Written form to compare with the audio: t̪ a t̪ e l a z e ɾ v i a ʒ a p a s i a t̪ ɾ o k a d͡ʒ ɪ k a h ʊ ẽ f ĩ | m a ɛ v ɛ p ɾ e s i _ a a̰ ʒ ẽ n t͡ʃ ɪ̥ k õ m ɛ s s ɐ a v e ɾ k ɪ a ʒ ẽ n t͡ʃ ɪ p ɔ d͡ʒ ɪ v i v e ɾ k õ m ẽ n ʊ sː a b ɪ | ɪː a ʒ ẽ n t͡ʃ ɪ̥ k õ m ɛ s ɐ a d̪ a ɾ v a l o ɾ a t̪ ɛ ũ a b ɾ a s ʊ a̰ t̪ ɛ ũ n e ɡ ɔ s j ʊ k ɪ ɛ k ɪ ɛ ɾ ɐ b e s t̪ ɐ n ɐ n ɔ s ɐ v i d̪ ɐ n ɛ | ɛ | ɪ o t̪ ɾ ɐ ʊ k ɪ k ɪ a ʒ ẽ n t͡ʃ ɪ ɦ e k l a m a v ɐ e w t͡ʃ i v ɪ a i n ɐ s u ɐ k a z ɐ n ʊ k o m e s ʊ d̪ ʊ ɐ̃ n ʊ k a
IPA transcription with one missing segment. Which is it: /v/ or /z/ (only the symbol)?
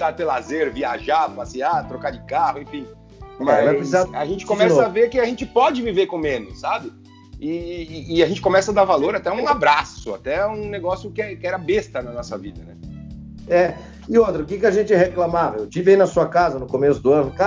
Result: z